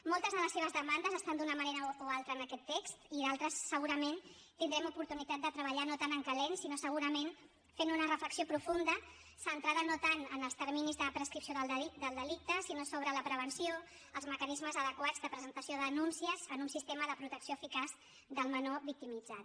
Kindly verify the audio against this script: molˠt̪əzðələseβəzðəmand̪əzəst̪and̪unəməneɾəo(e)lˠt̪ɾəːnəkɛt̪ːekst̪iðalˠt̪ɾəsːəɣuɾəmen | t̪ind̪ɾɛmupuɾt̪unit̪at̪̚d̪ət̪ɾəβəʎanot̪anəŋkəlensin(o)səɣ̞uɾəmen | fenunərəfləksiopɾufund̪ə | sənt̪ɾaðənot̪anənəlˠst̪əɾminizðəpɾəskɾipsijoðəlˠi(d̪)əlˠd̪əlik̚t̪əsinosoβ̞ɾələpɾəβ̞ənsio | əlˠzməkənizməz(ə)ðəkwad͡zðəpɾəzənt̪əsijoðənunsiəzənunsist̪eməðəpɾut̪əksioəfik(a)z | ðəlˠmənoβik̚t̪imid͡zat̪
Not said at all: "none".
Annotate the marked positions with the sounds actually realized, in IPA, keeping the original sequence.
a, o, d̪, ə, a

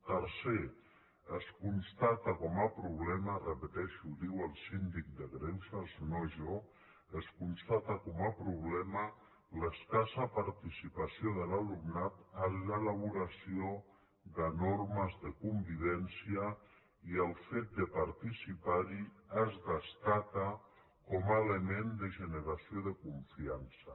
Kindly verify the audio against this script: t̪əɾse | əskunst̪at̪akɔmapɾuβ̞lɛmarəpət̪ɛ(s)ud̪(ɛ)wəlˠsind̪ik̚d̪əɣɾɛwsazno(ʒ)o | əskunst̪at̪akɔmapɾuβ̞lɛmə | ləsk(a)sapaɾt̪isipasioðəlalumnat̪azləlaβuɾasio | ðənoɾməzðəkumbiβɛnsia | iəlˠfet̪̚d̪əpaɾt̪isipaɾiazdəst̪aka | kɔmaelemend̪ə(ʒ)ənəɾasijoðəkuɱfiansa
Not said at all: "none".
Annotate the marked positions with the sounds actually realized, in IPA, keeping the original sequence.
ʃ, i, ʒ, a, ʒ

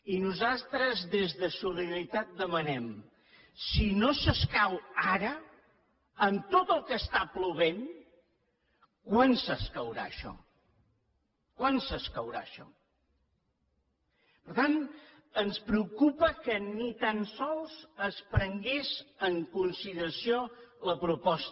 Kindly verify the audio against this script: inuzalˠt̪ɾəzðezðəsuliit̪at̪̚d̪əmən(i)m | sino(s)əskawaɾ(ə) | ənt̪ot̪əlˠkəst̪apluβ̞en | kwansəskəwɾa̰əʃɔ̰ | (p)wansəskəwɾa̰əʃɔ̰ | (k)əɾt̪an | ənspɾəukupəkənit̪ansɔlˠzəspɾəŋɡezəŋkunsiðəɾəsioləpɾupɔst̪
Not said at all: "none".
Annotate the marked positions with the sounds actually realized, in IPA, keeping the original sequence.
ɛ, s, ə, k, p

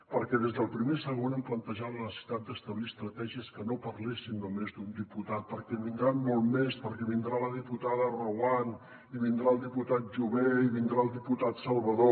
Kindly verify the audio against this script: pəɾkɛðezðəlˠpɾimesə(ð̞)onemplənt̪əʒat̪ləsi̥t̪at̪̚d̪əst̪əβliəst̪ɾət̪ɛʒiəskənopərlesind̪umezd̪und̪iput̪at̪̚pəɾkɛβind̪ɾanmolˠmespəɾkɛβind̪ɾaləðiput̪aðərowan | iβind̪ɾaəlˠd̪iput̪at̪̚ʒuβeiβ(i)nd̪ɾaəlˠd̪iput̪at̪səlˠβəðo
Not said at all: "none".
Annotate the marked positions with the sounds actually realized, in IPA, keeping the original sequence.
ɣ̞, i

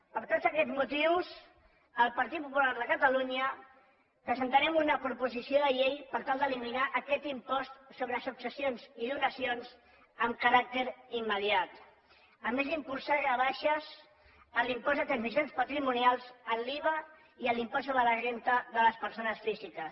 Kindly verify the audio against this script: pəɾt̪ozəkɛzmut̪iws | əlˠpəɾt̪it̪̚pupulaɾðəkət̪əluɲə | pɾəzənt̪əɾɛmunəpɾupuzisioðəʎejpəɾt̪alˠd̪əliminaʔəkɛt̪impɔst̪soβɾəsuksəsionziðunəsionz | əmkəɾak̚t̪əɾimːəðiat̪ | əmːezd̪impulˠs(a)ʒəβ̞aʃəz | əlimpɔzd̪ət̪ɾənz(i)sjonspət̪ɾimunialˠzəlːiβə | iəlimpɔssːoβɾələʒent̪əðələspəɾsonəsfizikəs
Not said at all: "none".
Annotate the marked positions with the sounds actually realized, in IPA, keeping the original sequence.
a, i

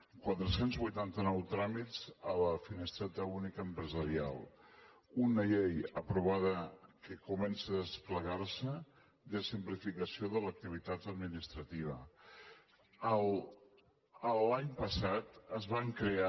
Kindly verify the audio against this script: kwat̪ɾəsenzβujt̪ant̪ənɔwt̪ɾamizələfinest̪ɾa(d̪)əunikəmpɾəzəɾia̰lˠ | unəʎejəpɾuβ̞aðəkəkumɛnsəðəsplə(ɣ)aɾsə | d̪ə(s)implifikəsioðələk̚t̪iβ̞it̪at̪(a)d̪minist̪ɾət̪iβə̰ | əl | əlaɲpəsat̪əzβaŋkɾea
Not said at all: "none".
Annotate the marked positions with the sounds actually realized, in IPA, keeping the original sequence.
t̪, ɣ, s, ə

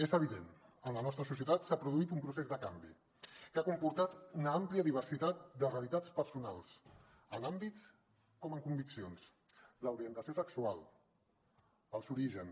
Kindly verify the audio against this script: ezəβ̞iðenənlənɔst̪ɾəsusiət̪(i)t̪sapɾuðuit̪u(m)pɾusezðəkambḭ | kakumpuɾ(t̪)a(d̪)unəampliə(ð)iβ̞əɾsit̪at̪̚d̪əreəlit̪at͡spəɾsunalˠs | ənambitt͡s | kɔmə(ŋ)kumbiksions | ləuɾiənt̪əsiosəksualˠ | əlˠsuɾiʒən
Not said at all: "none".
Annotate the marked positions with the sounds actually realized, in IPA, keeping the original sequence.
a, m, t̪, t̪, ð, ŋ

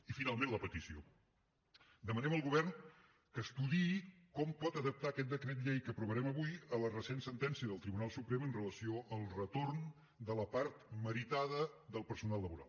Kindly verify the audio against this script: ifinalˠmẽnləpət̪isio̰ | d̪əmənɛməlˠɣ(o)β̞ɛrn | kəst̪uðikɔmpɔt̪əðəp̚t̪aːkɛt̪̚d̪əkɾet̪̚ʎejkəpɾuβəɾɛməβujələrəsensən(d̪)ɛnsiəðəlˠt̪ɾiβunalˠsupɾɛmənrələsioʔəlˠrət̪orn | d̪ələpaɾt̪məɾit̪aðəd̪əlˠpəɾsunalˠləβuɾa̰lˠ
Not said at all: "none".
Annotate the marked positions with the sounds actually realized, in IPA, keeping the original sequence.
u, t̪

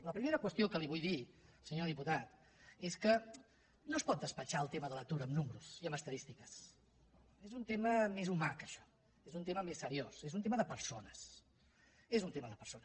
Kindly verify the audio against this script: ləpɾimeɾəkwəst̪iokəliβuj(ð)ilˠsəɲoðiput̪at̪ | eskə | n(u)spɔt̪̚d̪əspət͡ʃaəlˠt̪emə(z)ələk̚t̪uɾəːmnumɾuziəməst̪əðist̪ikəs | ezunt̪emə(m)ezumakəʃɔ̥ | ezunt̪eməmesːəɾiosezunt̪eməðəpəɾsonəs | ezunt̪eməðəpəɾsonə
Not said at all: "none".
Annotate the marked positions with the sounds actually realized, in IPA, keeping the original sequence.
ð, o, ð, m

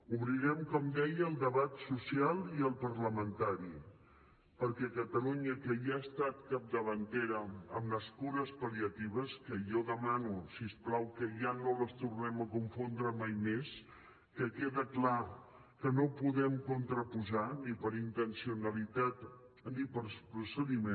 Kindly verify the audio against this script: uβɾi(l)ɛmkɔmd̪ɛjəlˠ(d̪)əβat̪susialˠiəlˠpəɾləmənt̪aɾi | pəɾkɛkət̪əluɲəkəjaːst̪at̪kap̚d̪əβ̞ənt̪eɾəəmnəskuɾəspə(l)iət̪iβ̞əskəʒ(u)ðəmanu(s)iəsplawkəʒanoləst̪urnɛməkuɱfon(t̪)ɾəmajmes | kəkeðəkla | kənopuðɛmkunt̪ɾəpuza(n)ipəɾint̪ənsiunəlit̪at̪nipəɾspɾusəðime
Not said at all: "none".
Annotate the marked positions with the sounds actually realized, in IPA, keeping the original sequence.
ɾ, d̪, l, ɔ, s, d̪, n

